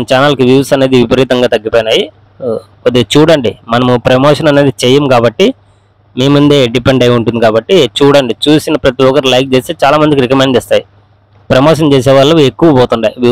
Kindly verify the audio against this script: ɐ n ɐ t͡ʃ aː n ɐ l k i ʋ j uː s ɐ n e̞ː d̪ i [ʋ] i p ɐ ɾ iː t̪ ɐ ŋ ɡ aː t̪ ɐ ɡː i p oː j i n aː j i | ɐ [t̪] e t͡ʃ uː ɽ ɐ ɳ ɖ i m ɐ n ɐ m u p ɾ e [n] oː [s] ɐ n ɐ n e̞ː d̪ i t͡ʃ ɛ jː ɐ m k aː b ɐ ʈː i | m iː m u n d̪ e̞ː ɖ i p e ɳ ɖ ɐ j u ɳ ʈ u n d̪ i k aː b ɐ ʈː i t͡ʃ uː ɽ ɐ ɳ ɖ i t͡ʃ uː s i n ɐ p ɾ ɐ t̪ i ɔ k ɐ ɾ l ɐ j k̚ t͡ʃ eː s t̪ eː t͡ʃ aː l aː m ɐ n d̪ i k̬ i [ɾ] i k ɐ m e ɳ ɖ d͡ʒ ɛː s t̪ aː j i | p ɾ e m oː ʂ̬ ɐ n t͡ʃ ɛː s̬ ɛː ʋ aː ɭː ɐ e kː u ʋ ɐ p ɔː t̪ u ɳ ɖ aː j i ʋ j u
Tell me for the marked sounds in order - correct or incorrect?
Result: correct, incorrect: d̪, incorrect: m, incorrect: ʂ, correct

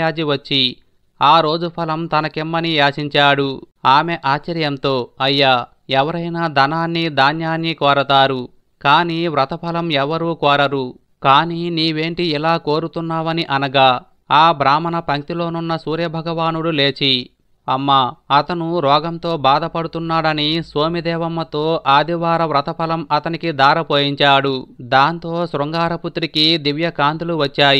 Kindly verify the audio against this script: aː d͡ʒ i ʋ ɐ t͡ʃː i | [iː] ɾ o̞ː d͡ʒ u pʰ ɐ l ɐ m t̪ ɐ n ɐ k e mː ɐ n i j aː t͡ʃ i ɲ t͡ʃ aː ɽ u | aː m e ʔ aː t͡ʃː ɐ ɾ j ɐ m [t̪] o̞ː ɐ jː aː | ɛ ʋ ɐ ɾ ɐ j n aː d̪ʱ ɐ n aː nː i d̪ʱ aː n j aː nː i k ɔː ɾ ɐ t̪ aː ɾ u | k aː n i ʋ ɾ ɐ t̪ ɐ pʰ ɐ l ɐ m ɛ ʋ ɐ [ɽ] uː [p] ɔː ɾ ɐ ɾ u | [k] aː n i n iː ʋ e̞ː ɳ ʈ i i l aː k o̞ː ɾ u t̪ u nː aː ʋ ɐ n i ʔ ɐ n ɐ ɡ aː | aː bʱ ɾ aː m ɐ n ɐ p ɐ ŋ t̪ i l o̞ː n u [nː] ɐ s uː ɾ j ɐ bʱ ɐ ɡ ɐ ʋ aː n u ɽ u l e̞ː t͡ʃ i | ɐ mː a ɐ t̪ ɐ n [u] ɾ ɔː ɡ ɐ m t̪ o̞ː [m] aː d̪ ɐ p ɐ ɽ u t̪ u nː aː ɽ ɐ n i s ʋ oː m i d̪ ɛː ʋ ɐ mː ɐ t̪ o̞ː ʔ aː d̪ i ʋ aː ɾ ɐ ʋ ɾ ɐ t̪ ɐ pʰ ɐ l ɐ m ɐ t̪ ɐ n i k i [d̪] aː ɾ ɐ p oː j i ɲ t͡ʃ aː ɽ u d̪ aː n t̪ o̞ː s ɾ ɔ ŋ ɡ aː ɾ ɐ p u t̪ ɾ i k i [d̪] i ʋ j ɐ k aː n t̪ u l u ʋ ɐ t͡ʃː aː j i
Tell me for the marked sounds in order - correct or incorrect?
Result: incorrect: aː, correct, incorrect: ɾ, incorrect: k, correct, correct, correct, incorrect: b, correct, correct

